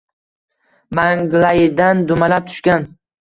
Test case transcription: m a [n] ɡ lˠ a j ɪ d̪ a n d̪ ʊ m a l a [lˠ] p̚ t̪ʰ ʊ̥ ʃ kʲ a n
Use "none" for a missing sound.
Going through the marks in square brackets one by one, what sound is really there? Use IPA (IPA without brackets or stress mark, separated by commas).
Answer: ŋ, none